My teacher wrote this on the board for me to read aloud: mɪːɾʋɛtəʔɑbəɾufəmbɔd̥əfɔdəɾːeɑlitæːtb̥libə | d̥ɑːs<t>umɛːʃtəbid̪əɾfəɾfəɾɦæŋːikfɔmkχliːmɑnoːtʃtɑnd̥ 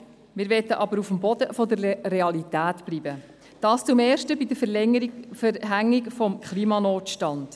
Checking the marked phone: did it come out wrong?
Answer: yes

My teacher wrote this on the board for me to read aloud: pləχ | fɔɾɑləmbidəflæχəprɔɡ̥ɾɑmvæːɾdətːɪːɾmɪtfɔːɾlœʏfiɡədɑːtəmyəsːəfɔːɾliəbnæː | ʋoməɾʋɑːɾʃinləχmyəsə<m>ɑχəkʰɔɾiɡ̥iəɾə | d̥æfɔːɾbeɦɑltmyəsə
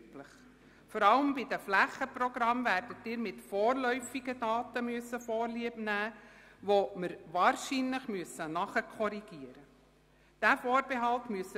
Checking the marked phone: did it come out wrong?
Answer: yes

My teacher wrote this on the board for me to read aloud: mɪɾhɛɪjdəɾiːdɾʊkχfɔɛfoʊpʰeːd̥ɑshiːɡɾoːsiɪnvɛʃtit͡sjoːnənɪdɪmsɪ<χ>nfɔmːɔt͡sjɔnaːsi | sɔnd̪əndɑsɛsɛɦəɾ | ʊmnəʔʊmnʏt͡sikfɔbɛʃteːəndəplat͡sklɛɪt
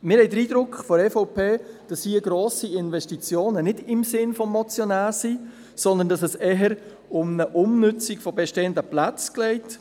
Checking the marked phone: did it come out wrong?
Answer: yes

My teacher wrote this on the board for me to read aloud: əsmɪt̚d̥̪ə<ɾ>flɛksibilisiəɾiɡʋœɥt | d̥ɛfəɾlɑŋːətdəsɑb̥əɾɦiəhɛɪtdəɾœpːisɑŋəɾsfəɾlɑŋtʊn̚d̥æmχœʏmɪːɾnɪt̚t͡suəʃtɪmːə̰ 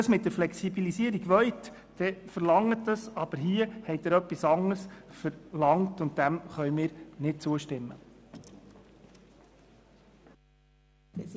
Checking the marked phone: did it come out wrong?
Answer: no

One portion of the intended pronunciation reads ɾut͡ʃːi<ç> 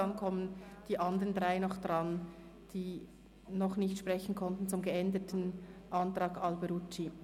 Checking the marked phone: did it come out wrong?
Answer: yes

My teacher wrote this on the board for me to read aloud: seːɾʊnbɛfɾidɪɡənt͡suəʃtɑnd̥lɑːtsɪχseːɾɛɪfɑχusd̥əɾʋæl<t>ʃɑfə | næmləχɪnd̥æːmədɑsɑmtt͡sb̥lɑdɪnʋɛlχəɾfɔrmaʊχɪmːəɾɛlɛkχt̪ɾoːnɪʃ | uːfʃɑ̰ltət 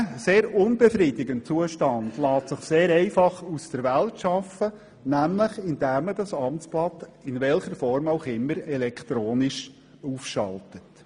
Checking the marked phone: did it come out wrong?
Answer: no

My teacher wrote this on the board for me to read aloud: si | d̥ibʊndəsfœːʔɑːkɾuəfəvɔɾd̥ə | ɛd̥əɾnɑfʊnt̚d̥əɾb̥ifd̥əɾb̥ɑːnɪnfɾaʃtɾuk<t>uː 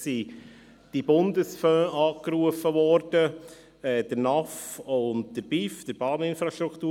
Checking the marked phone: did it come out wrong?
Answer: no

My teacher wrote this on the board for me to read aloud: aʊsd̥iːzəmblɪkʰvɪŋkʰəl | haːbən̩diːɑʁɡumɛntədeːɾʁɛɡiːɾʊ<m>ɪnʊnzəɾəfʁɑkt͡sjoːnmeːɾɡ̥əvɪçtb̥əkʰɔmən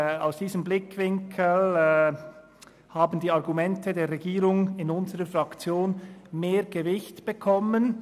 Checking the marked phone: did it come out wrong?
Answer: yes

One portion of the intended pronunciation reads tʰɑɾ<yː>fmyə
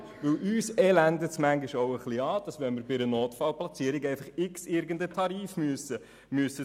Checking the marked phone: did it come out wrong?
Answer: yes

